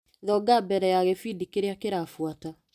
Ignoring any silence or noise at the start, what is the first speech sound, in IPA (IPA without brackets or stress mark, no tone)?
ð